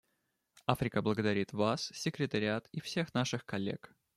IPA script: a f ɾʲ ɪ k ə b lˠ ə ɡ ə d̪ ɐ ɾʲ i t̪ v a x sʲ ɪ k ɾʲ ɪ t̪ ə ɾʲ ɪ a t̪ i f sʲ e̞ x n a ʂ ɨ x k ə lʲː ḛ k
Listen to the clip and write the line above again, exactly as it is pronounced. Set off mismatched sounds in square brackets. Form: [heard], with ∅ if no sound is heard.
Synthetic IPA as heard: a f ɾʲ ɪ k ə b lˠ ə ɡ ə d̪ ɐ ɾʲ i t̪ v a [s] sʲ ɪ k ɾʲ ɪ t̪ ə ɾʲ ɪ a t̪ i f sʲ e̞ x n a ʂ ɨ x k [ɐ] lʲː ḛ k